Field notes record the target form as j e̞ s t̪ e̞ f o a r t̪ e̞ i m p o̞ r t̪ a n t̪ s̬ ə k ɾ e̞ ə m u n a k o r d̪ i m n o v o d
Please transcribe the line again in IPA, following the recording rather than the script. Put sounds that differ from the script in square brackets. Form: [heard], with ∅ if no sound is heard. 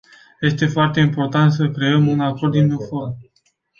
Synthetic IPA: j e̞ s t̪ e̞ f o a r t̪ e̞ i m p o̞ r t̪ a n t̪ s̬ ə k ɾ e̞ ə m u n a k o r d̪ i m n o [f] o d